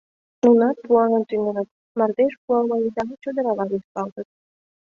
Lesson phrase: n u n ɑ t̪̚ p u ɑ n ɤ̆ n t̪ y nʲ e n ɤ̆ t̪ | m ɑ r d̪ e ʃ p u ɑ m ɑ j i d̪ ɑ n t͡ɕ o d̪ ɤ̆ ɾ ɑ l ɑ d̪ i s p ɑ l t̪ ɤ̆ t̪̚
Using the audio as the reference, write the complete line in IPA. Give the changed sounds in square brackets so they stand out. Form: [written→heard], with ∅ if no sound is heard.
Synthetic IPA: n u n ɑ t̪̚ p u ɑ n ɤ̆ n t̪ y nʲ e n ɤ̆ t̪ | m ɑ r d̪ e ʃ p u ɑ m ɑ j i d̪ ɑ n t͡ɕ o d̪ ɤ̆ ɾ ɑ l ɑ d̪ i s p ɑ l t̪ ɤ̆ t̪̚